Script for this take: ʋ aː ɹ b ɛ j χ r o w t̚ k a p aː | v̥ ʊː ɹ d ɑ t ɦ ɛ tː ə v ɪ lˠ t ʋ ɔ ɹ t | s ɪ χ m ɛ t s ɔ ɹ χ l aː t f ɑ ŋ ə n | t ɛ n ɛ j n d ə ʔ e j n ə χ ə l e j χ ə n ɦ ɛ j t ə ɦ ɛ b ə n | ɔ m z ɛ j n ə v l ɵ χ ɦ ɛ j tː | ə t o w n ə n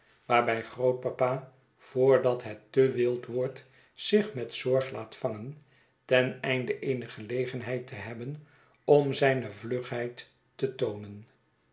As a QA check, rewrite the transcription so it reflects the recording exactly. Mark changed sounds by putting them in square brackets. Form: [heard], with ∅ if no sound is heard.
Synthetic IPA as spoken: ʋ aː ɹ b ɛ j χ r o w t̚ [p] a p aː | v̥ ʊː ɹ d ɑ t ɦ ɛ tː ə [ʋ] ɪ lˠ t ʋ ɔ ɹ t | s ɪ χ m ɛ t s ɔ ɹ χ l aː t f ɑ ŋ ə n | t ɛ n ɛ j n d ə ʔ e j n ə χ ə l e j χ ə n ɦ ɛ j t ə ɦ ɛ b ə n | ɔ m z ɛ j n ə v l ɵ χ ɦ ɛ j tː | ə t o w n ə n